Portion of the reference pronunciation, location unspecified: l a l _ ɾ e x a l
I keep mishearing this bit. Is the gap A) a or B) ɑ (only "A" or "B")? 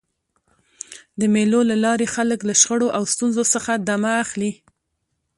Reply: B